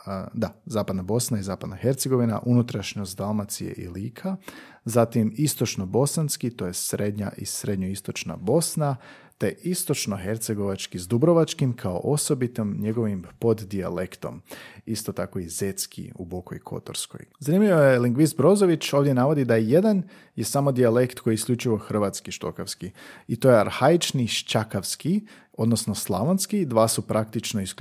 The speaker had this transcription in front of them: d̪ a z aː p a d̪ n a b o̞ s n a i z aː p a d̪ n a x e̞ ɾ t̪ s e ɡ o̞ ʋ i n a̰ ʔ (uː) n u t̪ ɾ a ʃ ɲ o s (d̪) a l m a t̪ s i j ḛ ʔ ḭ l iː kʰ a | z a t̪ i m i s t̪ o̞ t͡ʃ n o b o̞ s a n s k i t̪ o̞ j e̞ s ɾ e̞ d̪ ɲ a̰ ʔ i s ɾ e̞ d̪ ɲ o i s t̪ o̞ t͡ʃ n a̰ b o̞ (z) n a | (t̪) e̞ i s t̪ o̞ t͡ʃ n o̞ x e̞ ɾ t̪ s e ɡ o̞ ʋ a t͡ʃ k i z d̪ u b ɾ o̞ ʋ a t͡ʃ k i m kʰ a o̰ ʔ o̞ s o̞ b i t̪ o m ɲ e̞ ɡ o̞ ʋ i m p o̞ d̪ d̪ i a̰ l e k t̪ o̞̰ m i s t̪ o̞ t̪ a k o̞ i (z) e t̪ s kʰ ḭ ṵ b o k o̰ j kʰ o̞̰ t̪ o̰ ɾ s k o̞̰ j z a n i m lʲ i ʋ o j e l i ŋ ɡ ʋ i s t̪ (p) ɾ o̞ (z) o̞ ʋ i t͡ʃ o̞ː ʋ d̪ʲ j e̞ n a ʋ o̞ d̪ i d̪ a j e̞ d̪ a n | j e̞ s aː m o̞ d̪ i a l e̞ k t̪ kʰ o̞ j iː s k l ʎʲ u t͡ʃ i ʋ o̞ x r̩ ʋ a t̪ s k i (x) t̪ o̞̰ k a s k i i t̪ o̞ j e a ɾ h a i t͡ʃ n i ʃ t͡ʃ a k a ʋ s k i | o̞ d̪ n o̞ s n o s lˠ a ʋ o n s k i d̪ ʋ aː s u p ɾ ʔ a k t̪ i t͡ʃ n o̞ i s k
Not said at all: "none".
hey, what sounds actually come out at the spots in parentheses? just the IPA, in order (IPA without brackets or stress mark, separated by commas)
u, d̪, s, t̪, z, b, z, ʃ